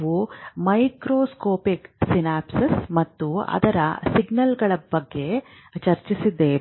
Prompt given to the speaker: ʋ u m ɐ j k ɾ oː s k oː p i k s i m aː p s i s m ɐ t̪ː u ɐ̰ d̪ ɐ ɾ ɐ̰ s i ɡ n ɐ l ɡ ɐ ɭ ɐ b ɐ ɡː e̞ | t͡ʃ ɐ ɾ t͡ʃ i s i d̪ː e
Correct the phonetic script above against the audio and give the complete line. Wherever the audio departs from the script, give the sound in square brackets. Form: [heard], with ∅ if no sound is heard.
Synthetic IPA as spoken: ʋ u m ɐ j k ɾ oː s k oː p i k s i [n] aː p s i s m ɐ t̪ː u ɐ̰ d̪ ɐ ɾ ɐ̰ s i ɡ n ɐ l ɡ ɐ ɭ ɐ b ɐ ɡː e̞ | t͡ʃ ɐ ɾ t͡ʃ i s i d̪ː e